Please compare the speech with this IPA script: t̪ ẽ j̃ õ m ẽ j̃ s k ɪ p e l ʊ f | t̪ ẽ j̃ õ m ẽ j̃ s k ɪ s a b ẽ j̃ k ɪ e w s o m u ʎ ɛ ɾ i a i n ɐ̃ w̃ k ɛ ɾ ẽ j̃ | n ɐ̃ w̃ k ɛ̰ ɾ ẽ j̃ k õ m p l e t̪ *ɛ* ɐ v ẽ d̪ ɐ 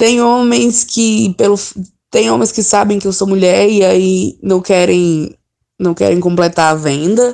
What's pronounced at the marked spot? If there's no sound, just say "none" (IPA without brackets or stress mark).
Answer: a